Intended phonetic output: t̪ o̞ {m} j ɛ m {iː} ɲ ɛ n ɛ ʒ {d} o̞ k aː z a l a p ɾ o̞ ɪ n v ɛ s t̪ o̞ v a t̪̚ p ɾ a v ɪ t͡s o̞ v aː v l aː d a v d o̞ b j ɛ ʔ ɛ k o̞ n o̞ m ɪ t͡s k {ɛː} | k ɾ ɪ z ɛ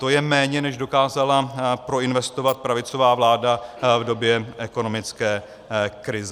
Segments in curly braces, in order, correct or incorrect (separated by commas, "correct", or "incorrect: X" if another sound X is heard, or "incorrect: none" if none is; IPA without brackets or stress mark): incorrect: none, incorrect: ɛː, correct, correct